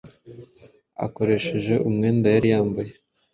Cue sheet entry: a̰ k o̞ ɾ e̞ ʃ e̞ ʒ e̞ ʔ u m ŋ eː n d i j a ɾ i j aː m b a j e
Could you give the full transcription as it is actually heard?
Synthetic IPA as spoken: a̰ k o̞ ɾ e̞ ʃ e̞ ʒ e̞ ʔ u m ŋ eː n d a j a ɾ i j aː m b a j e